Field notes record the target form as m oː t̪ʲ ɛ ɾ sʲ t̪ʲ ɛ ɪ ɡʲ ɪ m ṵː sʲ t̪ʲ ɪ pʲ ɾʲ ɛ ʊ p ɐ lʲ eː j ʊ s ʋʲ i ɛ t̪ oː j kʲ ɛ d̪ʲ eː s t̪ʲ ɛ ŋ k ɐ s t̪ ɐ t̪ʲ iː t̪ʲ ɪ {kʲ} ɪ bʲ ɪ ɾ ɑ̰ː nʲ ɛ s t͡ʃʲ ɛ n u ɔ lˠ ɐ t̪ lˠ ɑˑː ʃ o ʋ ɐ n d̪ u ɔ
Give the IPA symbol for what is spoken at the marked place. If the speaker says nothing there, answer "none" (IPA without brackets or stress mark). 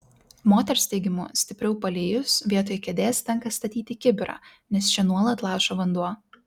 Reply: kʲ